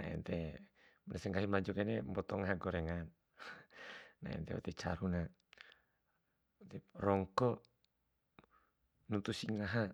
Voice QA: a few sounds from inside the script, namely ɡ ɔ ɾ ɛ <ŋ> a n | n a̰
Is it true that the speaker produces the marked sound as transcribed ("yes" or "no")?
yes